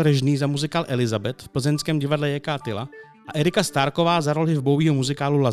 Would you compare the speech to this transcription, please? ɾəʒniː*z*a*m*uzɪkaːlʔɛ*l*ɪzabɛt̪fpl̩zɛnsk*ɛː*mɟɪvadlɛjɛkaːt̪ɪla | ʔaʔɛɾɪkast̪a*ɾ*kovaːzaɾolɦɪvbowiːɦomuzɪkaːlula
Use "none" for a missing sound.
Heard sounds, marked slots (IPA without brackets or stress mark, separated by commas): z, m, l, ɛː, ɾ